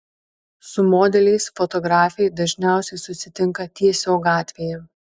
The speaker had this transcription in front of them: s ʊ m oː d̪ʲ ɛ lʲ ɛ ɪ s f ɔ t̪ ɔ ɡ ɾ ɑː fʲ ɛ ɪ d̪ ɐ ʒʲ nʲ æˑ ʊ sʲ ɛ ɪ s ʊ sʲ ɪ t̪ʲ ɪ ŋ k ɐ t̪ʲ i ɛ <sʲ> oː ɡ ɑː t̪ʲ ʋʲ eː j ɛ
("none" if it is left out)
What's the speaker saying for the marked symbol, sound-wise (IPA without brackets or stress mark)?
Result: sʲ